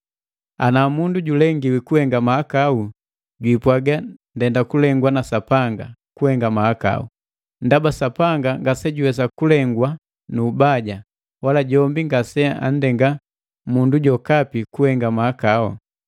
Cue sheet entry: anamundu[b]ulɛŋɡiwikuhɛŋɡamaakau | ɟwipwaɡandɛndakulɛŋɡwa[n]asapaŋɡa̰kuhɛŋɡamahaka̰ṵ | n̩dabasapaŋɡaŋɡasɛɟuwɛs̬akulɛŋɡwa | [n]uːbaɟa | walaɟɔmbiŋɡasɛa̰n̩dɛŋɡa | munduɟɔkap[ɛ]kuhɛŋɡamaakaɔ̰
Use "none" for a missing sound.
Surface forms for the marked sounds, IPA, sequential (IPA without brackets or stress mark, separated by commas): ɟ, n, n, i